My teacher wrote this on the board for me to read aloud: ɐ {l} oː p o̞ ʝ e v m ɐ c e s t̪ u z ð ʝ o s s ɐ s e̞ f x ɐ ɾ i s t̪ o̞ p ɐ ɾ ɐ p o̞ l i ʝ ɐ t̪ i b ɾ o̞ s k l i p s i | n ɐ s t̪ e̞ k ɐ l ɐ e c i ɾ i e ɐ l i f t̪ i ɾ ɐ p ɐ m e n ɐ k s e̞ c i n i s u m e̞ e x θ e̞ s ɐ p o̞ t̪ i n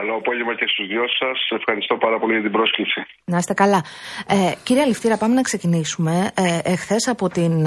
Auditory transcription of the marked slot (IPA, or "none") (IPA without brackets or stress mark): l